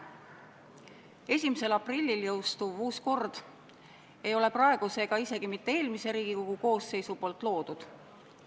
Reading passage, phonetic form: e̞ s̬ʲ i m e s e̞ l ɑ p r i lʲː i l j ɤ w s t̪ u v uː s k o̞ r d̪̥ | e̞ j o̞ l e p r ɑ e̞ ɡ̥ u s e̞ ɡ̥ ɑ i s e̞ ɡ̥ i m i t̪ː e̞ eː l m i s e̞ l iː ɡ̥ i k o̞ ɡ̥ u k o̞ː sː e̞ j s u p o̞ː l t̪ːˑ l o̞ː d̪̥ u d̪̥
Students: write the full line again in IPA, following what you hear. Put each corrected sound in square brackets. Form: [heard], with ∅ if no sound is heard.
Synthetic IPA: e̞ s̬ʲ i m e s e̞ l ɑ p r i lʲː i l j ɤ w s t̪ u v uː s k o̞ r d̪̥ | e̞ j o̞ l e p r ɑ e̞ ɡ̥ u s e̞ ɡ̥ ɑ i s e̞ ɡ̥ i m i t̪ː e̞ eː l m i s e̞ [ɾ] iː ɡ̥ i k o̞ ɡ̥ u k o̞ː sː e̞ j s u p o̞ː l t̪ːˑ l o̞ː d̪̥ u d̪̥